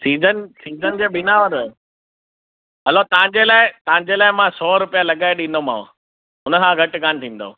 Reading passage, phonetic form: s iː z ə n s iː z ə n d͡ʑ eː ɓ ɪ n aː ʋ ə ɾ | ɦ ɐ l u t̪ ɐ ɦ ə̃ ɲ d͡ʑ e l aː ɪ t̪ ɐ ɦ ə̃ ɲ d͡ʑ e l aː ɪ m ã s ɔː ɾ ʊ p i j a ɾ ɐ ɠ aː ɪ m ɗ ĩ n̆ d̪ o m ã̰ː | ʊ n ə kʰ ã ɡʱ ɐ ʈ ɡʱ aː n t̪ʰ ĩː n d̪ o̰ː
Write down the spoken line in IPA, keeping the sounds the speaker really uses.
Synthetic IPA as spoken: s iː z ə n s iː z ə n d͡ʑ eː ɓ ɪ n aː ʋ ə ɾ | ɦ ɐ l o t̪ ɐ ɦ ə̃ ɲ d͡ʑ e l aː ɪ t̪ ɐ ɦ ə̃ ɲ d͡ʑ e l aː ɪ m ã s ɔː ɾ ʊ p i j a l ɐ ɠ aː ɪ ɗ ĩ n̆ d̪ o m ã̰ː | ʊ n ə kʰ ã ɡʱ ɐ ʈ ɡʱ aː n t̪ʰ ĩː n d̪ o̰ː